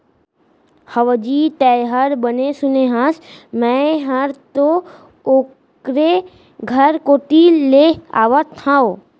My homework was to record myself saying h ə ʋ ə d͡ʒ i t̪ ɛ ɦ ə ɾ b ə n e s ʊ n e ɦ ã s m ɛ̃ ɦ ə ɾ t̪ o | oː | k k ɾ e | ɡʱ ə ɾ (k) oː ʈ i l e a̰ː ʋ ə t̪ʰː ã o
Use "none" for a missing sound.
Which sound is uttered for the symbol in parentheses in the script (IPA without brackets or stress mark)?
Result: k